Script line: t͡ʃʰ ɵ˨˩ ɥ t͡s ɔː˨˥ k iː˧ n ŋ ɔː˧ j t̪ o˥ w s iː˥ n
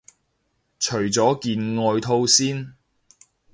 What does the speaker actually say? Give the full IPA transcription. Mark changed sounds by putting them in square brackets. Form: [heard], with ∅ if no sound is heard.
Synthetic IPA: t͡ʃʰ ɵ˨˩ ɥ t͡s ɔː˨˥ k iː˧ n ŋ ɔː˧ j [t̪ʰ] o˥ w s iː˥ n